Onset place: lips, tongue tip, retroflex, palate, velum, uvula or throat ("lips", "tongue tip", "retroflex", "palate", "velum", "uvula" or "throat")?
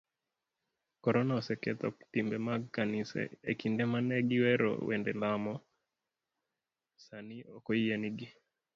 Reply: velum